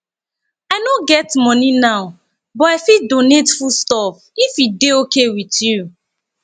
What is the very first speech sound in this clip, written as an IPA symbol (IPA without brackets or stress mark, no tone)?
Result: a